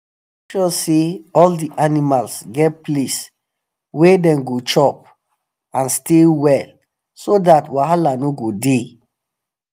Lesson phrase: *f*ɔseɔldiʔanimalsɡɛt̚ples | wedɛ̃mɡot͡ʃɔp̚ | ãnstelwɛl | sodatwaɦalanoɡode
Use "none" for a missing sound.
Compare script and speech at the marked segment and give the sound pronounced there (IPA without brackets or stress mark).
ʃ